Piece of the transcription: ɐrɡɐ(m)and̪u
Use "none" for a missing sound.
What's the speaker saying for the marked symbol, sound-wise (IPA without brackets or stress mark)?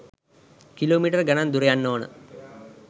n